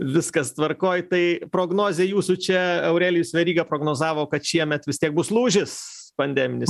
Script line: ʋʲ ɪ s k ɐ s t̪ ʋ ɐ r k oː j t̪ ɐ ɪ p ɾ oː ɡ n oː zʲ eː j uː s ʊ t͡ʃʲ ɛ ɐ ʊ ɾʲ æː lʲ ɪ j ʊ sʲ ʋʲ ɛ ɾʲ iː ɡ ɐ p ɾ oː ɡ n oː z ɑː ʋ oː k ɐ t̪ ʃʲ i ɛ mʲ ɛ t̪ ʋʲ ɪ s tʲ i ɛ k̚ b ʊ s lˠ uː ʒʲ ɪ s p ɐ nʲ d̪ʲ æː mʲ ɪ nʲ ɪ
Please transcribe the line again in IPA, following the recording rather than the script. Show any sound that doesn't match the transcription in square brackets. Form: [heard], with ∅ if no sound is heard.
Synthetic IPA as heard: ʋʲ ɪ s k ɐ s t̪ ʋ ɐ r k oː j t̪ ɐ ɪ p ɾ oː ɡ n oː zʲ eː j uː s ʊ t͡ʃʲ ɛ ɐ ʊ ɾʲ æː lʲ ɪ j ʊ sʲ ʋʲ ɛ ɾʲ iː ɡ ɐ p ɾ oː ɡ n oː z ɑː ʋ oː k ɐ t̪ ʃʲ i ɛ mʲ ɛ t̪ ʋʲ ɪ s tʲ i ɛ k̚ b ʊ s lˠ uː ʒʲ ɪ s p ɐ nʲ d̪ʲ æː mʲ ɪ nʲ ɪ